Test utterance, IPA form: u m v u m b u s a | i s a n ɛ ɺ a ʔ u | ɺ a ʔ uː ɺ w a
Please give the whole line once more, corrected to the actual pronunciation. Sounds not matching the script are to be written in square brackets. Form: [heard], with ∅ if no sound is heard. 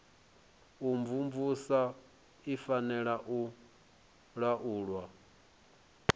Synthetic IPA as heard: u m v u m [v] u s a | i [f] a n ɛ ɺ a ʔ u | ɺ a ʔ uː ɺ w a